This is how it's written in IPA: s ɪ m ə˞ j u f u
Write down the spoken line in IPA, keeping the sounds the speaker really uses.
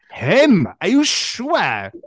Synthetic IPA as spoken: h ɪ m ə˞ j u ʃ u